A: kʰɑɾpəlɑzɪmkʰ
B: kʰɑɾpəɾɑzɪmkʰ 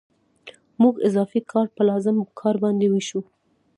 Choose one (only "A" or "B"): A